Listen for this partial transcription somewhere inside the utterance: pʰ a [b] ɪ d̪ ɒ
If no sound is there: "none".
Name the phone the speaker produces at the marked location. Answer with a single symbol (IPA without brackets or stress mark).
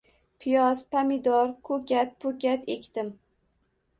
m